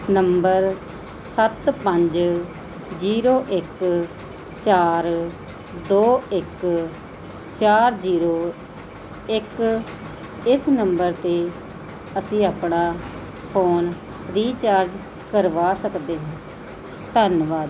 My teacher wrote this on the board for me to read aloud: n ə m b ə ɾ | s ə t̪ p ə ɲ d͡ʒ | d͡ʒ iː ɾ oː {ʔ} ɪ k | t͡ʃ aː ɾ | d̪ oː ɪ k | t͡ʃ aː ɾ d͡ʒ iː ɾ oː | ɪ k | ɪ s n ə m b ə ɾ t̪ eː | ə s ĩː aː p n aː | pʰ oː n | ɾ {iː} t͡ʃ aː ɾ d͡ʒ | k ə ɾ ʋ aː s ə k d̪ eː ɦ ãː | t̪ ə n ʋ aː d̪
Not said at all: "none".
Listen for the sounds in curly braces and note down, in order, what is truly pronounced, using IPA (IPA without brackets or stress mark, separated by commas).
ʔ, iː